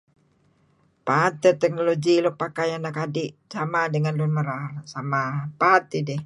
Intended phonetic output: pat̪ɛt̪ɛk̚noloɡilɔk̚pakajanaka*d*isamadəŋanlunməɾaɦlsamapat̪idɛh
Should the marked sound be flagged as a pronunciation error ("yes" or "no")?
no